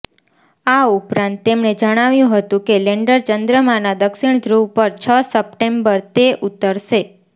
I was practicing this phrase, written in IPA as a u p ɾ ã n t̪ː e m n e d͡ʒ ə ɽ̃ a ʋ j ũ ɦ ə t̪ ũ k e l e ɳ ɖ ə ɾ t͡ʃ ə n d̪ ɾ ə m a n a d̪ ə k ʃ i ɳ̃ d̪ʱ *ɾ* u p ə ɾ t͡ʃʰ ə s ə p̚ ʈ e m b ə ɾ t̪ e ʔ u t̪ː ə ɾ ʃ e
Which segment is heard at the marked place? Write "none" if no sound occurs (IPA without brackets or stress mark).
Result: ɾ